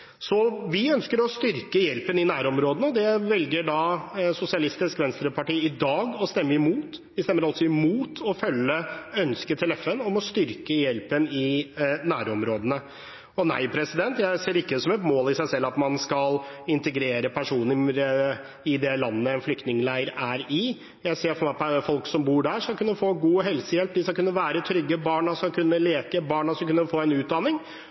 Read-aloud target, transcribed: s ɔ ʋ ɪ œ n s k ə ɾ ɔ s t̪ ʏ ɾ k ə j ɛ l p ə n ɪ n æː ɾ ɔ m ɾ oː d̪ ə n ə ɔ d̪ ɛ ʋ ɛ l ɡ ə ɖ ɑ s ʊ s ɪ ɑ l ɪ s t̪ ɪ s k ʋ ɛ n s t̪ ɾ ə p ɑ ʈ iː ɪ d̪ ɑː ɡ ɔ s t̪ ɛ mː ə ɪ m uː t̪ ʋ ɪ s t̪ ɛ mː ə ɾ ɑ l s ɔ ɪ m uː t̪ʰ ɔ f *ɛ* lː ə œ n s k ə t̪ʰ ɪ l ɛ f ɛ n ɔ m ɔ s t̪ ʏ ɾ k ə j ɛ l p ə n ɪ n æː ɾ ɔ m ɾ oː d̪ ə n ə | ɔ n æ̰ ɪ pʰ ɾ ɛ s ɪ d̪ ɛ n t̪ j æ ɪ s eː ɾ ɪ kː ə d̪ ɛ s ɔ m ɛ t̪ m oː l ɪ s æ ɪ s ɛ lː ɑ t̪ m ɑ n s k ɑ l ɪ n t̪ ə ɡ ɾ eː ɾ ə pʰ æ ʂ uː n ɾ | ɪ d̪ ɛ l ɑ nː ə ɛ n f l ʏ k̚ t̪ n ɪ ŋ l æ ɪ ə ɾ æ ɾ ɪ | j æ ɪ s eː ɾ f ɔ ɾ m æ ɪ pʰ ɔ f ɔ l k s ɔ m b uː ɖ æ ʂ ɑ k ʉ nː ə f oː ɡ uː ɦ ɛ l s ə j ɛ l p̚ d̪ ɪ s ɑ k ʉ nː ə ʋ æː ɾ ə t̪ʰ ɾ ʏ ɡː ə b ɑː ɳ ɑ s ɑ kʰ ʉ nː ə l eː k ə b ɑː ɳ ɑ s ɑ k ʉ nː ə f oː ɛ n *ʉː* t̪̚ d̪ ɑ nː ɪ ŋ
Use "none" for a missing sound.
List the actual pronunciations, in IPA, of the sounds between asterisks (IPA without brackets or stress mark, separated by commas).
œ, ʉː